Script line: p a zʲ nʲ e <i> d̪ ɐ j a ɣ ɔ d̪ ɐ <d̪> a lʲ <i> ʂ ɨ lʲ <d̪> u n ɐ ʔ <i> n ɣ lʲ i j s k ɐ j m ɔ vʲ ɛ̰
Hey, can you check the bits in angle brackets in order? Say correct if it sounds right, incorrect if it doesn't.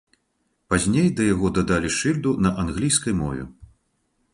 incorrect, correct, correct, correct, incorrect

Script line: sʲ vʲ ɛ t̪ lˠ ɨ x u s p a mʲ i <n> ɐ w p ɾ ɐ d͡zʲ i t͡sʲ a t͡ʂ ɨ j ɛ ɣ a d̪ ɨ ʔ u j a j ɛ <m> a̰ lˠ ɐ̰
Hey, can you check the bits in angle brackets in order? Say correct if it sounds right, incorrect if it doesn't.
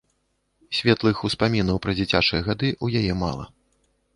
correct, correct

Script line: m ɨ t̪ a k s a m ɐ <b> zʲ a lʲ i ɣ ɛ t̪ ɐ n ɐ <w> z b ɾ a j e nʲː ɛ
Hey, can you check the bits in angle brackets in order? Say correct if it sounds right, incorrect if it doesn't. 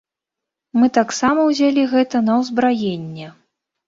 incorrect, correct

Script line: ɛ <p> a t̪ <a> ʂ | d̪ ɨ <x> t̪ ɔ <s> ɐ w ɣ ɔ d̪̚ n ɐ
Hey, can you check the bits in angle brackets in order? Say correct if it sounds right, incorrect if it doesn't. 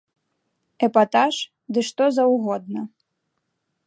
correct, correct, incorrect, incorrect

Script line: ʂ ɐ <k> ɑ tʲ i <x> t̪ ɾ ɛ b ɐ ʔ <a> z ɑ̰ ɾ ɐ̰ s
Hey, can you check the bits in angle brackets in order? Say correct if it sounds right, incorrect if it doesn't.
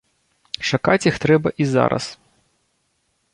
correct, correct, incorrect

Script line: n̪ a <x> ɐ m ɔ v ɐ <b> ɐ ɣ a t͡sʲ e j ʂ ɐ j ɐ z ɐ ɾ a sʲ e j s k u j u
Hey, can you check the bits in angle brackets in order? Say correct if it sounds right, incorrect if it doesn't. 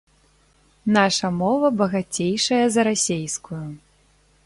incorrect, correct

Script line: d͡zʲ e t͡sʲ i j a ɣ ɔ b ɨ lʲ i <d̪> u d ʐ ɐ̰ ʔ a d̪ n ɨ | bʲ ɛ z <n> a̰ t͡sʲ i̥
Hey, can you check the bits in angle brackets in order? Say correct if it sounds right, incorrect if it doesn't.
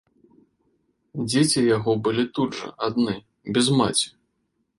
incorrect, incorrect

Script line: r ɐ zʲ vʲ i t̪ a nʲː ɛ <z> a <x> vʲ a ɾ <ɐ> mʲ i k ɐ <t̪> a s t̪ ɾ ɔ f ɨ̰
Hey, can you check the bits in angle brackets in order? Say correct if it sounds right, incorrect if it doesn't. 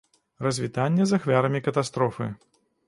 correct, correct, correct, correct

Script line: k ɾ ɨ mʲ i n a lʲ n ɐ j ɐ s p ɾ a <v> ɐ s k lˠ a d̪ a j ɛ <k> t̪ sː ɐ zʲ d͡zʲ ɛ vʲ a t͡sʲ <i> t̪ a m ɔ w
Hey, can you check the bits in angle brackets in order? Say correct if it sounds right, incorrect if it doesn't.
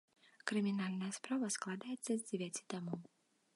correct, incorrect, correct

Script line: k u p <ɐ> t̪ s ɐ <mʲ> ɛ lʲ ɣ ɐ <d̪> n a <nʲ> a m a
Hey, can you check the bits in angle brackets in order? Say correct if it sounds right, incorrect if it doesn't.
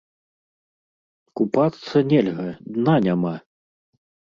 incorrect, incorrect, correct, correct

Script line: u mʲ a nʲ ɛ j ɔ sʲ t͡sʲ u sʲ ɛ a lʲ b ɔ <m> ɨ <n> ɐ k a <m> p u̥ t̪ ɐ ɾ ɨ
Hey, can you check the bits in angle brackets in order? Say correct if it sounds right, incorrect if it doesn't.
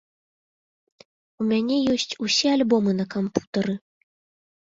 correct, correct, correct

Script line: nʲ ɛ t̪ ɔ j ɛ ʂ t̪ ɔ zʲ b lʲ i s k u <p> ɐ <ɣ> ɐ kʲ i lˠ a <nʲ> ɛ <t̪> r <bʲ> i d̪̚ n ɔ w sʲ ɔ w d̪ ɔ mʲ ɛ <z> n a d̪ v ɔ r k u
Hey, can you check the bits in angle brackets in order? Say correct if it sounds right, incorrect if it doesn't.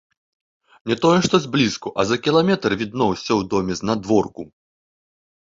incorrect, incorrect, incorrect, correct, incorrect, correct

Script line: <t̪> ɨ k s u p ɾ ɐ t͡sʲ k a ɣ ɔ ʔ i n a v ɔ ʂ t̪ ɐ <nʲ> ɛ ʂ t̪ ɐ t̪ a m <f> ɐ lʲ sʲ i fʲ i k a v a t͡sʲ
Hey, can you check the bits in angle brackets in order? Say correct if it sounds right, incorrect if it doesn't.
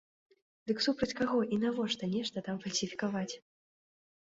incorrect, correct, correct

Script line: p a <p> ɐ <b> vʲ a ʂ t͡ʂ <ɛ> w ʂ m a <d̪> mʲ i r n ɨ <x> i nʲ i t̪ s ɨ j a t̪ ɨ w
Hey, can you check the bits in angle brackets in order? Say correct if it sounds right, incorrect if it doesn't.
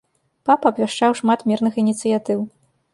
correct, correct, incorrect, incorrect, correct

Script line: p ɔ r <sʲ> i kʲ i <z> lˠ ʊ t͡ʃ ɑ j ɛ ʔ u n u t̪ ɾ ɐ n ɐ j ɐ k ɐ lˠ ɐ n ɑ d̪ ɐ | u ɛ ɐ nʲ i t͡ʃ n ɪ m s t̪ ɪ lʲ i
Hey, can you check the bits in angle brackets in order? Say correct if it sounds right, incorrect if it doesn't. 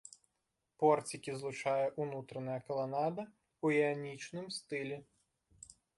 incorrect, correct

